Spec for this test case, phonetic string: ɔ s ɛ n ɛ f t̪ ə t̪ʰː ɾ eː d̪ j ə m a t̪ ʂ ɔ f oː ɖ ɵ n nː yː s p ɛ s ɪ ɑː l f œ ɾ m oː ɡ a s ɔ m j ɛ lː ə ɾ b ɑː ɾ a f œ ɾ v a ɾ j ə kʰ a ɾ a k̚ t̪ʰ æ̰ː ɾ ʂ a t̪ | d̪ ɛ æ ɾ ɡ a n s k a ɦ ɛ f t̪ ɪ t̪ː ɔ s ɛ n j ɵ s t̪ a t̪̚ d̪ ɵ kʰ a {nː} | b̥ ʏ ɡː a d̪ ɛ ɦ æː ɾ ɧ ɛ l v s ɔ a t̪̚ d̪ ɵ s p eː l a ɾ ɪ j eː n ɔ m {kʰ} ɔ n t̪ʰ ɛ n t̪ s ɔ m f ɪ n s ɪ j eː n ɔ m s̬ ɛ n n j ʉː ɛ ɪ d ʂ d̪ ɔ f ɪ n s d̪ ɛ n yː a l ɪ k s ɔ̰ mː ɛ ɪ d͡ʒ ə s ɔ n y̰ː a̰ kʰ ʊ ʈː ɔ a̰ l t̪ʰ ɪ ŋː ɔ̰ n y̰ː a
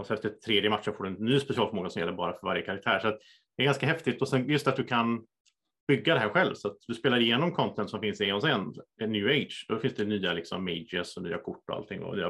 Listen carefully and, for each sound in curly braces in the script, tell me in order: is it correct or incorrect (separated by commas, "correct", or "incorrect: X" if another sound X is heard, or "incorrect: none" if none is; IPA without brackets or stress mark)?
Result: incorrect: n, correct